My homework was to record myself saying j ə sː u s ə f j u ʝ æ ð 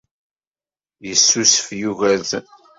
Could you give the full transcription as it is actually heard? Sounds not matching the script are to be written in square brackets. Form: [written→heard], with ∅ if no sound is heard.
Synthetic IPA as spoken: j ə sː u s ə f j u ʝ æ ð